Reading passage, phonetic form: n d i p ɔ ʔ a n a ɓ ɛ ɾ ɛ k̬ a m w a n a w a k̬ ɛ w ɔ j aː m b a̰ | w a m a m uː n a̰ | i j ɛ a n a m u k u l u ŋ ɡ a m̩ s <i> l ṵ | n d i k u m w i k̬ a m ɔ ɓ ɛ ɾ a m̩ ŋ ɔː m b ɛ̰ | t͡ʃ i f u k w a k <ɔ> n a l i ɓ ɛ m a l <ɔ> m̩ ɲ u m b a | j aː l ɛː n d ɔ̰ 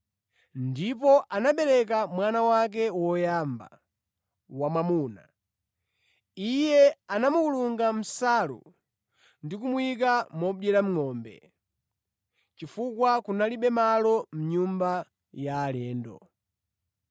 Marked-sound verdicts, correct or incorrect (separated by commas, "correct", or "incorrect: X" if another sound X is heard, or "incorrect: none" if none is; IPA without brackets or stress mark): incorrect: a, incorrect: u, correct